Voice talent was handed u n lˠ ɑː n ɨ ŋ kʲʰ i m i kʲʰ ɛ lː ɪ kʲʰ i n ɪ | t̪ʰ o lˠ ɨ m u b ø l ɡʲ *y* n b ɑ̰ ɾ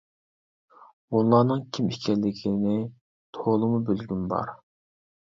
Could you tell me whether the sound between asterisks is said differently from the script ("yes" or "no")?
no